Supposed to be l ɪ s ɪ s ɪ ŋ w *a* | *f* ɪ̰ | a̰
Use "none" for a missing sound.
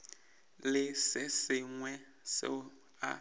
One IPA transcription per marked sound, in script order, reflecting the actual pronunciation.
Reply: ɛ, s

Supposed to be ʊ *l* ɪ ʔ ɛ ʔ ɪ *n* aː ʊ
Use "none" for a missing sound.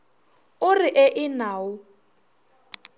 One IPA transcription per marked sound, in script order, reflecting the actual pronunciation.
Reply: r, n

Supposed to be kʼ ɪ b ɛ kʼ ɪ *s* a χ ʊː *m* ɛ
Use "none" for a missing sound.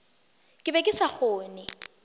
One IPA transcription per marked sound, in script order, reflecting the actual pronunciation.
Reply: s, n

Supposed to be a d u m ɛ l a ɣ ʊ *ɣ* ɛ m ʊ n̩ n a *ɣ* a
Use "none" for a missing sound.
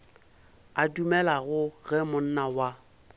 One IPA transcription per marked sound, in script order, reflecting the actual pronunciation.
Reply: ɣ, w

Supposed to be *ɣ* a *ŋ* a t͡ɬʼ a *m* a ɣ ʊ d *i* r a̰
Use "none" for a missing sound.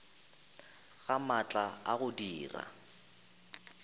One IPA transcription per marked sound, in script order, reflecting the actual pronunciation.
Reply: ɣ, m, none, iː

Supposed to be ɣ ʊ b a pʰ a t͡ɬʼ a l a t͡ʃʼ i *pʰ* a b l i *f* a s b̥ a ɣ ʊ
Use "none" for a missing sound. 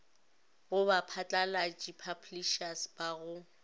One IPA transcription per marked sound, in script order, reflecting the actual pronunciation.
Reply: pʰ, ʃ

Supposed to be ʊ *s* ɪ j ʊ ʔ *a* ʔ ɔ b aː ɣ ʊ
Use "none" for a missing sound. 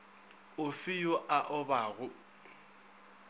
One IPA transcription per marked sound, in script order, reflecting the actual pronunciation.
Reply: f, a

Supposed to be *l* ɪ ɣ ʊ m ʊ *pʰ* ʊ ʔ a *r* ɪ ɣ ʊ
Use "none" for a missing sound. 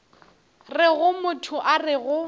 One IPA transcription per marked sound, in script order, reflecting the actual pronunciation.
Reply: r, tʰ, r

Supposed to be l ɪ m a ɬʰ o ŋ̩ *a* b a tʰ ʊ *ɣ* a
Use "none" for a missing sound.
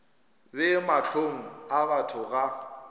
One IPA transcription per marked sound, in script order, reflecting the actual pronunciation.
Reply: a, ɣ

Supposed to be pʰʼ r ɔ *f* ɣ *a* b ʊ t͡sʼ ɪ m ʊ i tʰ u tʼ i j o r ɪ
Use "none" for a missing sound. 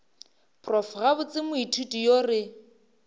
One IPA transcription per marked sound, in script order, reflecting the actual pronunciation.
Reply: f, a

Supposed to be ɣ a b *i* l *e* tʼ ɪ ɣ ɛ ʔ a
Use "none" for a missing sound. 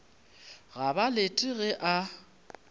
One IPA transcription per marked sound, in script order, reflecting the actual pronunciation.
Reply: a, e

